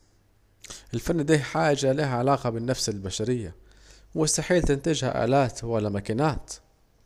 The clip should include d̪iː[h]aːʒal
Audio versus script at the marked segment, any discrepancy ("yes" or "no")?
yes